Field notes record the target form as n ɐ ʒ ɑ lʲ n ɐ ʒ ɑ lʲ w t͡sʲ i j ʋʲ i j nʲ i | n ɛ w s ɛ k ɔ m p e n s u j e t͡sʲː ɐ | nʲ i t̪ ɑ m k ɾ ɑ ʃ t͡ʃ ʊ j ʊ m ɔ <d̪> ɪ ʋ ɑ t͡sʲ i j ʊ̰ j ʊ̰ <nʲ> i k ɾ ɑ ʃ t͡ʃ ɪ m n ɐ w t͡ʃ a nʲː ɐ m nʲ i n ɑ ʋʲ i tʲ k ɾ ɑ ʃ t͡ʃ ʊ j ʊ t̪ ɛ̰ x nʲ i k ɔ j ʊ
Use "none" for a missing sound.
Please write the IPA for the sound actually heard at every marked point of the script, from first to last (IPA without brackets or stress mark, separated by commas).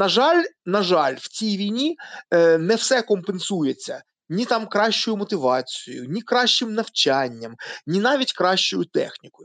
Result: t̪, nʲ